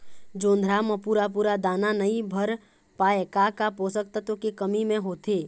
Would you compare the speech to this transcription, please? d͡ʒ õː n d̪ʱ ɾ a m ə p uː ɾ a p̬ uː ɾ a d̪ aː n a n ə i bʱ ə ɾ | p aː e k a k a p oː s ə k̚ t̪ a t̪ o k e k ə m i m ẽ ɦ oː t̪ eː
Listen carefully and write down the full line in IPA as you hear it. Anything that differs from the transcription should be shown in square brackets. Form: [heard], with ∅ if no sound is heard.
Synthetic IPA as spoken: d͡ʒ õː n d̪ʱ ɾ a m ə p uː ɾ a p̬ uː ɾ a d̪ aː n a n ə i bʱ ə ɾ | p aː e k a k a p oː s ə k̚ t̪ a t̪ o k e k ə m i m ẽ ɦ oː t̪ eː